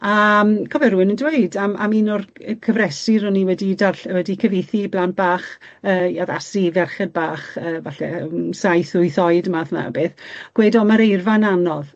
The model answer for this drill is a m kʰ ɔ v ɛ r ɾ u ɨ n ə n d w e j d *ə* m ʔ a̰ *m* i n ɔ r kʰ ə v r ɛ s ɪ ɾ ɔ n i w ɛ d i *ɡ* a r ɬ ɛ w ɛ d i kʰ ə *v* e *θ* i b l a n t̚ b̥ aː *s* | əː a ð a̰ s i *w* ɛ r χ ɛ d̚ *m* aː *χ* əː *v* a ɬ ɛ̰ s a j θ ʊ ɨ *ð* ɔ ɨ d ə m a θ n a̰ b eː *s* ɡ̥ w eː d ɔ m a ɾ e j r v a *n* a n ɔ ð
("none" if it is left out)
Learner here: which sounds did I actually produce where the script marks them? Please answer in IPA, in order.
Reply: a, m, d, v, θ, χ, v, b, χ, v, θ, θ, n

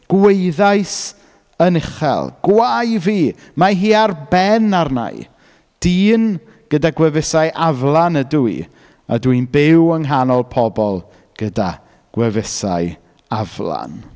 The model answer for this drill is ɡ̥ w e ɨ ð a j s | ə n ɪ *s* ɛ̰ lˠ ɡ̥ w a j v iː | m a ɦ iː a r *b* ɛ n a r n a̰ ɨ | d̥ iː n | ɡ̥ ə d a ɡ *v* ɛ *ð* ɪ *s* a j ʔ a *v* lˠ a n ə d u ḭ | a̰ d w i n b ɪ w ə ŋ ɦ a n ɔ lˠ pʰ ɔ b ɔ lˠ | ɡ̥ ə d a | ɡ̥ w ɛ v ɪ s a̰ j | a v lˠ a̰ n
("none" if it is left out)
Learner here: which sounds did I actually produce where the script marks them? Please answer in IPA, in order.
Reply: χ, b, w, v, s, v

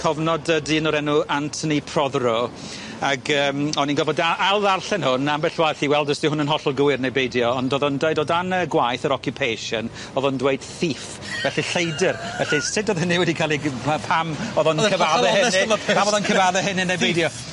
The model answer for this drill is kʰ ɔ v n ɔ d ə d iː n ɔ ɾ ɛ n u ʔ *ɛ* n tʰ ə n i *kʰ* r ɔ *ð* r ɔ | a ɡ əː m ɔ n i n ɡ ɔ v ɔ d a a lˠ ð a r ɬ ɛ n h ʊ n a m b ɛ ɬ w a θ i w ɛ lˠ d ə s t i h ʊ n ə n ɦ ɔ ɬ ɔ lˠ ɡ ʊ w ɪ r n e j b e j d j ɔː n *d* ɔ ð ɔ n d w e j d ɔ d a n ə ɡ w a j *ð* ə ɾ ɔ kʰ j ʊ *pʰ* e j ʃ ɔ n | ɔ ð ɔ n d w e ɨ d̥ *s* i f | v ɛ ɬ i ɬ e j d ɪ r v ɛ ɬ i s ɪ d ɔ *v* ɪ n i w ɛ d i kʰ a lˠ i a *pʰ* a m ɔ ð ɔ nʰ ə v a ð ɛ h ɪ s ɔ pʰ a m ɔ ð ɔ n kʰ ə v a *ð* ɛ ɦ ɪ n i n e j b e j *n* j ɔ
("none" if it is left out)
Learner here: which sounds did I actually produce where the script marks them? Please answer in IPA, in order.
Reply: a, pʰ, ð, d, θ, pʰ, θ, ð, pʰ, ð, d

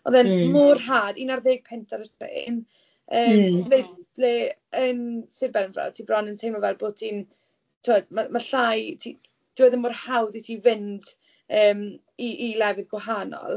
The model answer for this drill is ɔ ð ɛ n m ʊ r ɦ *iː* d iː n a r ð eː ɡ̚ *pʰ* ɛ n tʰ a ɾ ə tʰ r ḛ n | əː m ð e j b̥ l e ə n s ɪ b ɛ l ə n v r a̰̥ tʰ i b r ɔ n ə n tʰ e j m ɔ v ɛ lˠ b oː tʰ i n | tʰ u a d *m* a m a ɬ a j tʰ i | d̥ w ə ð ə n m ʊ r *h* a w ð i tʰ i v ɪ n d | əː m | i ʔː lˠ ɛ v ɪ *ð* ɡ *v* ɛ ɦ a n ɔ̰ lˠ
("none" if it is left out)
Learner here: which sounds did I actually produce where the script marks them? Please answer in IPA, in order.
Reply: aː, pʰ, m, h, ð, w

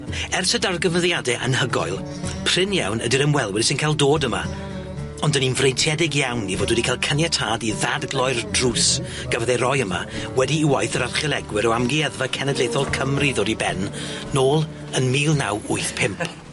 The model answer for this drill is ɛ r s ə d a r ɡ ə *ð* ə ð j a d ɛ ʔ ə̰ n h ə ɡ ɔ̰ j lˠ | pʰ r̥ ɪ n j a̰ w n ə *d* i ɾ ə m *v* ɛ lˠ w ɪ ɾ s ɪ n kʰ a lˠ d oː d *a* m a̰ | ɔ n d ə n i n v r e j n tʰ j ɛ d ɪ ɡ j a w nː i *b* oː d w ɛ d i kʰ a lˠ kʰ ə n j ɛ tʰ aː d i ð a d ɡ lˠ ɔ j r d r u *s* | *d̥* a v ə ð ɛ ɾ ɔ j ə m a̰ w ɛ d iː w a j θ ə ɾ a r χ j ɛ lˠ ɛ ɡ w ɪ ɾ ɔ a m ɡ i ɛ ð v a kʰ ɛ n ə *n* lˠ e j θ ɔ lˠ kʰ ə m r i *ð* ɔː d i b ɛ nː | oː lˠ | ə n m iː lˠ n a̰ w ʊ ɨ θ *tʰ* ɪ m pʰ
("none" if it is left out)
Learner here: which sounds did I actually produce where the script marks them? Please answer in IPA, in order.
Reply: v, d, w, ə, v, s, ɡ̥, d, ð, pʰ

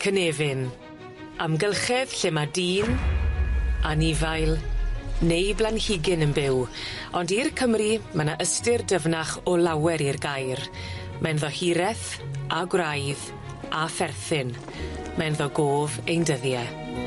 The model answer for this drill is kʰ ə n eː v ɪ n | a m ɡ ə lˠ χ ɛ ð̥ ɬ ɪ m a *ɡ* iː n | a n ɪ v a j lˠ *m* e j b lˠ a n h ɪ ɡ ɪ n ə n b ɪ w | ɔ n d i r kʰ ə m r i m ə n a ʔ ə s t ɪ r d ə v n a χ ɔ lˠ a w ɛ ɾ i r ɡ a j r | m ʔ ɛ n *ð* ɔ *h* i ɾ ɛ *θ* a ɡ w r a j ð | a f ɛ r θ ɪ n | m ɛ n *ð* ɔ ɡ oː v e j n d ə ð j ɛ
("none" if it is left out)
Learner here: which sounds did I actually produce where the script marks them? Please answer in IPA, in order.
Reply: d, n, ð, h, θ, ð

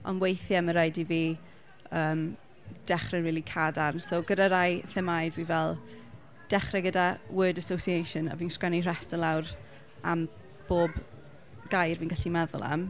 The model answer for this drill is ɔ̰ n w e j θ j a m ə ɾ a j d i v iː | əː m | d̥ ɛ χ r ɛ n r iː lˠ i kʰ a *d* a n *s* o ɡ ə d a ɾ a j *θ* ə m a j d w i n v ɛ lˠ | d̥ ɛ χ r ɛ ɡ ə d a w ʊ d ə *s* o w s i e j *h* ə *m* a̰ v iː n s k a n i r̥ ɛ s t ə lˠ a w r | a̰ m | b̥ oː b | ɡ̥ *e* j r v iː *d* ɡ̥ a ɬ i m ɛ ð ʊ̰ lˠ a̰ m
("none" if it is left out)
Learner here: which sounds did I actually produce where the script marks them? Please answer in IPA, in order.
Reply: d, s, θ, s, ʃ, n, a, n

